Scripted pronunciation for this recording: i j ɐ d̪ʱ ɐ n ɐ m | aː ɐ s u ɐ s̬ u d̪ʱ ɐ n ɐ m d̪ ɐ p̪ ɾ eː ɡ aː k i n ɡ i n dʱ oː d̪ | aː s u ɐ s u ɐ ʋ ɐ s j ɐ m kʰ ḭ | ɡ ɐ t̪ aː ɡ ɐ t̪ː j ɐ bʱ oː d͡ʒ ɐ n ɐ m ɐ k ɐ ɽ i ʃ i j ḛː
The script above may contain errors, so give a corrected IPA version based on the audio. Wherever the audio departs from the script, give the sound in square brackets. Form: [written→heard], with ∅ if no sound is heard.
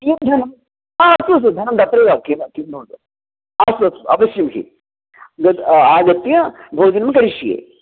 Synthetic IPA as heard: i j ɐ d̪ʱ ɐ n ɐ m | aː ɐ s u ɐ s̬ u d̪ʱ ɐ n ɐ m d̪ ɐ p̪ ɾ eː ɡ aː k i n [ɡ→k] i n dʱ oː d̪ | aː s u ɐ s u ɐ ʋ ɐ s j ɐ m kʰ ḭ | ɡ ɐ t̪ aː ɡ ɐ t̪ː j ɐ bʱ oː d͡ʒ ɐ n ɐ m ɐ k ɐ [ɽ→ɾ] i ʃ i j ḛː

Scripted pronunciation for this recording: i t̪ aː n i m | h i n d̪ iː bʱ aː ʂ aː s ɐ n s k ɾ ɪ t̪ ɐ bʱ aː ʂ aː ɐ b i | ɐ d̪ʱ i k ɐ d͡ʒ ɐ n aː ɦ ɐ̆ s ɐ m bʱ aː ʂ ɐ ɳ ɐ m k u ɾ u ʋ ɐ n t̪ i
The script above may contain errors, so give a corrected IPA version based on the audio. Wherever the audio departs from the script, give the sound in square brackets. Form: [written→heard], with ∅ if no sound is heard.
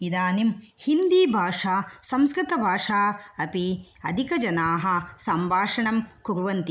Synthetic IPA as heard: i [t̪→d̪] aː n i m | h i n d̪ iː bʱ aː ʂ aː s ɐ [n→m] s k ɾ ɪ t̪ ɐ bʱ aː ʂ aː ɐ [b→p] i | ɐ d̪ʱ i k ɐ d͡ʒ ɐ n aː ɦ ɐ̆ s ɐ m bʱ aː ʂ ɐ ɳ ɐ m k u ɾ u ʋ ɐ n t̪ i

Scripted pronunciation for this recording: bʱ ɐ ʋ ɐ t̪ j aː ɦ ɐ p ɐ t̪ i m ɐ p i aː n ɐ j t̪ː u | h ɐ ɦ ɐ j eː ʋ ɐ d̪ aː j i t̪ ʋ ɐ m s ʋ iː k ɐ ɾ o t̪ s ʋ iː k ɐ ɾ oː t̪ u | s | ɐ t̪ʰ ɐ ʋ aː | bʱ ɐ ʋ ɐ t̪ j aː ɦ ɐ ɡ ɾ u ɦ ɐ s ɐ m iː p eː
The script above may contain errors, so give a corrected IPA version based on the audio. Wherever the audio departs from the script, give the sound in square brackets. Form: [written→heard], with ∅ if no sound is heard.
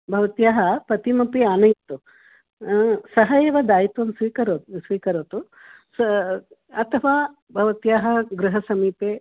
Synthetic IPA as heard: bʱ ɐ ʋ ɐ t̪ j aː ɦ ɐ p ɐ t̪ i m ɐ p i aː n ɐ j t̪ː u | [h→s] ɐ ɦ ɐ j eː ʋ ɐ d̪ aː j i t̪ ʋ ɐ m s ʋ iː k ɐ ɾ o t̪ s ʋ iː k ɐ ɾ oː t̪ u | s | ɐ t̪ʰ ɐ ʋ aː | bʱ ɐ ʋ ɐ t̪ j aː ɦ ɐ ɡ ɾ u ɦ ɐ s ɐ m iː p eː

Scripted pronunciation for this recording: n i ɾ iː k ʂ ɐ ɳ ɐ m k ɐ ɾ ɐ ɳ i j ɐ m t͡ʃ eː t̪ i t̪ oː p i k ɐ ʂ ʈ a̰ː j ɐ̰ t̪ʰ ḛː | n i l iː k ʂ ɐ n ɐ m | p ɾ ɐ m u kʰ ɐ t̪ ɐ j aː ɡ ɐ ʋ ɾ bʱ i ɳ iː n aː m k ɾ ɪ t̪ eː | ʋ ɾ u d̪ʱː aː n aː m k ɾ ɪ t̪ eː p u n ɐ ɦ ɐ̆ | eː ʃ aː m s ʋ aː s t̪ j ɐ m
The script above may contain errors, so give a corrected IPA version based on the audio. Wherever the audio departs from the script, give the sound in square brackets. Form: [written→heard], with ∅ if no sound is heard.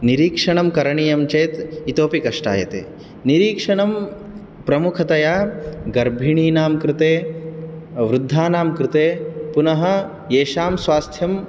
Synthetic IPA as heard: n i ɾ iː k ʂ ɐ ɳ ɐ m k ɐ ɾ ɐ ɳ i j ɐ m t͡ʃ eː t̪ i t̪ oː p i k ɐ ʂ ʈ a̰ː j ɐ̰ [t̪ʰ→t̪] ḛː | n i [l→ɾ] iː k ʂ ɐ [n→ɳ] ɐ m | p ɾ ɐ m u kʰ ɐ t̪ ɐ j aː ɡ ɐ [ʋ→∅] ɾ bʱ i ɳ iː n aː m k ɾ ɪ t̪ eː | ʋ ɾ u d̪ʱː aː n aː m k ɾ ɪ t̪ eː p u n ɐ ɦ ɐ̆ | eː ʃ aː m s ʋ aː s [t̪→t̪ʰ] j ɐ m

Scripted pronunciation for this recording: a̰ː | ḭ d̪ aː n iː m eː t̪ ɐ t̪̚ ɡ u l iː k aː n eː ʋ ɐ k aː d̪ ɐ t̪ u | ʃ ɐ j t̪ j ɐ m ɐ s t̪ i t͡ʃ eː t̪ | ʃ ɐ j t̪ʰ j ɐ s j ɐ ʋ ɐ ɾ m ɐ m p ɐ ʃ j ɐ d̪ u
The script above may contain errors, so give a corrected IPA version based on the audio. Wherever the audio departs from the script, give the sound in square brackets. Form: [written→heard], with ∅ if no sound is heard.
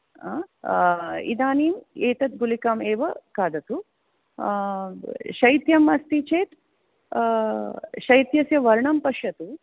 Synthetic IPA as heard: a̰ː | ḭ d̪ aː n iː m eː t̪ ɐ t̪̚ ɡ u l [iː→i] k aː [n→m] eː ʋ ɐ k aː d̪ ɐ t̪ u | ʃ ɐ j t̪ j ɐ m ɐ s t̪ i t͡ʃ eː t̪ | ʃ ɐ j [t̪ʰ→t̪] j ɐ s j ɐ ʋ ɐ ɾ [m→ɳ] ɐ m p ɐ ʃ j ɐ [d̪→t̪] u

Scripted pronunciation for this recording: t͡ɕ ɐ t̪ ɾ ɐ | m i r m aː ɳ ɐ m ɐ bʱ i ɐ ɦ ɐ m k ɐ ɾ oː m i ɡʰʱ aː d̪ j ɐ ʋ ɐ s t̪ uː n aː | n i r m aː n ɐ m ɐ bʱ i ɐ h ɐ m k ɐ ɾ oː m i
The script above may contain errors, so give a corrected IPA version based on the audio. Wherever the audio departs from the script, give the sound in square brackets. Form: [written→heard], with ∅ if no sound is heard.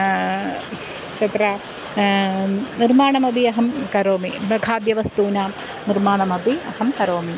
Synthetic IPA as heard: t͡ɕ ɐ t̪ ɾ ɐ | [m→n] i r m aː ɳ ɐ m ɐ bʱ i ɐ ɦ ɐ m k ɐ ɾ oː m i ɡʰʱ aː d̪ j ɐ ʋ ɐ s t̪ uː n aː | n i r m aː [n→ɳ] ɐ m ɐ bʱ i ɐ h ɐ m k ɐ ɾ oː m i

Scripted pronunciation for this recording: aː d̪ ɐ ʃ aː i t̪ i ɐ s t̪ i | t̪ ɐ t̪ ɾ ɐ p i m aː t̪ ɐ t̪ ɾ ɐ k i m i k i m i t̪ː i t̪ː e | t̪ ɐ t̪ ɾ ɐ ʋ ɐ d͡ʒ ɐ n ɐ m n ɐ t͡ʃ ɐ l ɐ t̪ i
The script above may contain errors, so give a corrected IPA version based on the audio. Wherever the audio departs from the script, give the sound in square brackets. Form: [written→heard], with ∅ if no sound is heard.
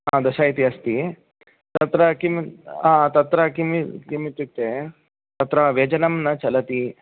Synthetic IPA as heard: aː d̪ ɐ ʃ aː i t̪ i ɐ s t̪ i | t̪ ɐ t̪ ɾ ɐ [p→k] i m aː t̪ ɐ t̪ ɾ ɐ k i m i k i m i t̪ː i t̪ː e | t̪ ɐ t̪ ɾ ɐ ʋ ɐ d͡ʒ ɐ n ɐ m n ɐ t͡ʃ ɐ l ɐ t̪ i

